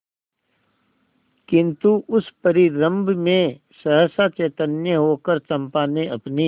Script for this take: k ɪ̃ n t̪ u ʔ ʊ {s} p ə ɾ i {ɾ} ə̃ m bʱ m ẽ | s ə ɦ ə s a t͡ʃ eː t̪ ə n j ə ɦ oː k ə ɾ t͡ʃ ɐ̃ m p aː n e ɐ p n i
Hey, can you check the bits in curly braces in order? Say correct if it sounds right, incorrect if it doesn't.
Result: correct, correct

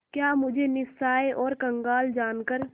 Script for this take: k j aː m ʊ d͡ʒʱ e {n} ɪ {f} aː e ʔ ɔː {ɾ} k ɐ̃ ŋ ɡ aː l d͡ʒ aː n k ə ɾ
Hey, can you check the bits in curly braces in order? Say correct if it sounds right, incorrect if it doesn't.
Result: correct, incorrect: s, correct

